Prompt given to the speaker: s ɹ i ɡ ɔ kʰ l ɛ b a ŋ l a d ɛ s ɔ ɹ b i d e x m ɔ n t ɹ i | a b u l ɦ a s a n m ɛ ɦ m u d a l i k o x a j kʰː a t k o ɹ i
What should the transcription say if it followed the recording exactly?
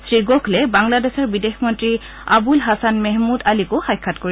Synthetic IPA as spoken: s ɹ i ɡ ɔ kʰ l ɛ b a ŋ l a d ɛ s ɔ ɹ b i d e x m ɔ n t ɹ i | a b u l ɦ a s a n m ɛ ɦ m u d a l i k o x a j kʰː a t k o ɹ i